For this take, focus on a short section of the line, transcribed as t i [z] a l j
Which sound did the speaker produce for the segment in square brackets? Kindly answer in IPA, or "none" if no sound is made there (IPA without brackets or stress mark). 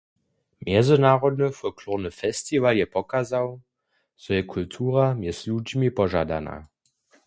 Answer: v